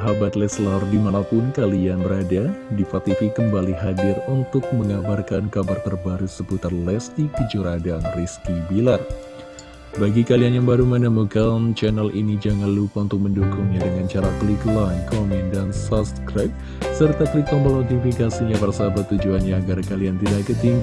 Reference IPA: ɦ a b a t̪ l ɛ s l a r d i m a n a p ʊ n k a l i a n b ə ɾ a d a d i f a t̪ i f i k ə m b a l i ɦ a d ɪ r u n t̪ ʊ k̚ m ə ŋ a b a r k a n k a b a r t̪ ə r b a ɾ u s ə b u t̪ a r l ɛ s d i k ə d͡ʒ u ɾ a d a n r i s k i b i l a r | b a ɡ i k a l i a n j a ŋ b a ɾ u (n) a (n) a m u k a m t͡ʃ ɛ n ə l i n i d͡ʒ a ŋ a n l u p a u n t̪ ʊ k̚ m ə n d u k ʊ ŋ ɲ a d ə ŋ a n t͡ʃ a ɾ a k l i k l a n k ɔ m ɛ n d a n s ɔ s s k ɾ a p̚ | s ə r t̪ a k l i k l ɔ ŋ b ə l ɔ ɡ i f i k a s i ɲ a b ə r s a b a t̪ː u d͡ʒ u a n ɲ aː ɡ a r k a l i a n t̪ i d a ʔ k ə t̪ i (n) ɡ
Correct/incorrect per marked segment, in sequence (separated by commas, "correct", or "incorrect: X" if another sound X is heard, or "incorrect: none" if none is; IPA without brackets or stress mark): incorrect: m, correct, incorrect: ŋ